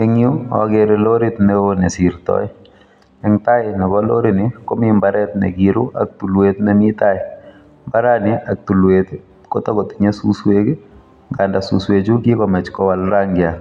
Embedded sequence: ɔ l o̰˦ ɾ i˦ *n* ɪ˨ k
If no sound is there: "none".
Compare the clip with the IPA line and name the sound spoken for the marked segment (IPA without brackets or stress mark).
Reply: n